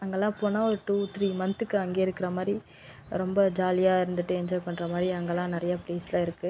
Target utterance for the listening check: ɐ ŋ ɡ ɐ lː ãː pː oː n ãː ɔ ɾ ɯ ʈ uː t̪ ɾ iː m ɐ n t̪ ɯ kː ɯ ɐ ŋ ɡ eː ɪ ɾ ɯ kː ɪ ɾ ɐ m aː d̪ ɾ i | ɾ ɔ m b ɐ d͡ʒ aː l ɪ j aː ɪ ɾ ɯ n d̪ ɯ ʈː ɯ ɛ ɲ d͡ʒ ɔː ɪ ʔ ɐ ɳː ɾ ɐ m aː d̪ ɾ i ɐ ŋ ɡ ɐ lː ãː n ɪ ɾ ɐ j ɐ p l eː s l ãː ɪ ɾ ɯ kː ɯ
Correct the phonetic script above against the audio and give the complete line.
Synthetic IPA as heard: ɐ ŋ ɡ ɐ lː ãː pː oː n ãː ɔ ɾ ɯ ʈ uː t̪ ɾ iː m ɐ n t̪ ɯ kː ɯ ɐ ŋ ɡ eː ɪ ɾ ɯ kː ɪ ɾ ɐ m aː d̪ ɾ i | ɾ ɔ m b ɐ d͡ʒ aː l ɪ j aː ɪ ɾ ɯ n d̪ ɯ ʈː ɯ ɛ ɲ d͡ʒ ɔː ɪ p ɐ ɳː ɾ ɐ m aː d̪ ɾ i ɐ ŋ ɡ ɐ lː ãː n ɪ ɾ ɐ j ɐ p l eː s l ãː ɪ ɾ ɯ kː ɯ

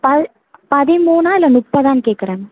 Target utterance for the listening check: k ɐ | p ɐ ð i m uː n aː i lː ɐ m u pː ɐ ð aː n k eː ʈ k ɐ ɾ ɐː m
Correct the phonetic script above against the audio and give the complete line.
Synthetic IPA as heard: p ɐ | p ɐ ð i m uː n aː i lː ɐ n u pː ɐ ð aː n k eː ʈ k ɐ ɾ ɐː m

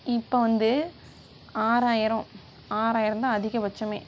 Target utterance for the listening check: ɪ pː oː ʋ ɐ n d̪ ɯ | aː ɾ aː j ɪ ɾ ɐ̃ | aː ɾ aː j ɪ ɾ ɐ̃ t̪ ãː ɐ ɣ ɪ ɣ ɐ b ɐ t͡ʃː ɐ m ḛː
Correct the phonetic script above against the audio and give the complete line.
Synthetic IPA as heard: ɪ pː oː ʋ ɐ n d̪ ɯ | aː ɾ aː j ɪ ɾ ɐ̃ | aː ɾ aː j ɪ ɾ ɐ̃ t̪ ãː ɐ ð ɪ ɣ ɐ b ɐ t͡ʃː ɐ m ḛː

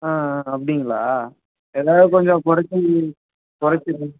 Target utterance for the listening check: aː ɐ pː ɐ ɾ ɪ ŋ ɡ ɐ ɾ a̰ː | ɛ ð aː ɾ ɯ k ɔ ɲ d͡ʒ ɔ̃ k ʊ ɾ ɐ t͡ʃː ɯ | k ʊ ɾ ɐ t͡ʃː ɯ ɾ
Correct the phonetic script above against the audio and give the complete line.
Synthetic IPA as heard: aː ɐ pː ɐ ɽ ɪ ŋ ɡ ɐ ɭ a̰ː | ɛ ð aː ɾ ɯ k ɔ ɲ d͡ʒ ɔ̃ k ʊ ɾ ɐ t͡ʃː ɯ | k ʊ ɾ ɐ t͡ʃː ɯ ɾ

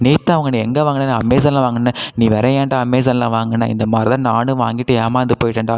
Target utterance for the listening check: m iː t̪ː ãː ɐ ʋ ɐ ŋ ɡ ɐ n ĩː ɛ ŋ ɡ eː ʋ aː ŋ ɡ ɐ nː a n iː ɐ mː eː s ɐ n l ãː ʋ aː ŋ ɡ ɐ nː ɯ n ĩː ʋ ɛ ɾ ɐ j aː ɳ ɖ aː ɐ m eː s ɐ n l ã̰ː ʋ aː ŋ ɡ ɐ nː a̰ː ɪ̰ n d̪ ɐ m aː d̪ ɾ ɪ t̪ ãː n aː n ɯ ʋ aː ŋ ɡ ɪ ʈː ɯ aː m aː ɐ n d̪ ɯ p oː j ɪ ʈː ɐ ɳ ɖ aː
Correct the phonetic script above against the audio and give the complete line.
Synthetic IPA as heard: n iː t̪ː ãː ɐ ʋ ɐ ŋ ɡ ɐ n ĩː ɛ ŋ ɡ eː ʋ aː ŋ ɡ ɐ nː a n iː ɐ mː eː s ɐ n l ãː ʋ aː ŋ ɡ ɐ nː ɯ n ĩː ʋ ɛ ɾ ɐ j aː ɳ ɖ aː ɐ m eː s ɐ n l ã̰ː ʋ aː ŋ ɡ ɐ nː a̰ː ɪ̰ n d̪ ɐ m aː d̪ ɾ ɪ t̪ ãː n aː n ɯ ʋ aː ŋ ɡ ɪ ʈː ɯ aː m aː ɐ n d̪ ɯ p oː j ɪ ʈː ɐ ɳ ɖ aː

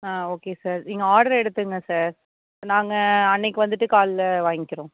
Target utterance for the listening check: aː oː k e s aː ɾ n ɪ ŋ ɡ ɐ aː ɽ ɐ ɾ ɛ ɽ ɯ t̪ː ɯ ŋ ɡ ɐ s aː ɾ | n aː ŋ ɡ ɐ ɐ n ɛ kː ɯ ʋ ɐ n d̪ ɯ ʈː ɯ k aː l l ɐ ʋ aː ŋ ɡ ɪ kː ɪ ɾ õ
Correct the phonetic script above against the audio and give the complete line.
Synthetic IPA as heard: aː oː k e s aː ɾ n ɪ ŋ ɡ ɐ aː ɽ ɐ ɾ ɛ ɽ ɯ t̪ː ɯ ŋ ɡ ɐ s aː ɾ | n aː ŋ ɡ ɐ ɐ nː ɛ kː ɯ ʋ ɐ n d̪ ɯ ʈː ɯ k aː l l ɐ ʋ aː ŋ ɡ ɪ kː ɪ ɾ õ

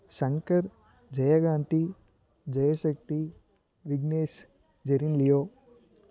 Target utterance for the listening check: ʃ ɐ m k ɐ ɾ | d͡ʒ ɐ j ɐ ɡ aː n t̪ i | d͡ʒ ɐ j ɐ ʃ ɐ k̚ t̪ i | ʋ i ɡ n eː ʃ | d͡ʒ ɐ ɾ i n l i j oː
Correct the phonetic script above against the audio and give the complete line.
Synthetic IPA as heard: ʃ ɐ ŋ k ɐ ɾ | d͡ʒ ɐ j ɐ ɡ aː n t̪ i | d͡ʒ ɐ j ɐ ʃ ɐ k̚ t̪ i | ʋ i ɡ n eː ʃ | d͡ʒ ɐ ɾ i n l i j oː

